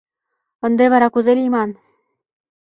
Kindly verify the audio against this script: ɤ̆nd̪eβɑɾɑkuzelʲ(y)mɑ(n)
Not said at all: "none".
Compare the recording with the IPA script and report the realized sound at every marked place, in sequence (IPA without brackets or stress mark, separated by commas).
i, n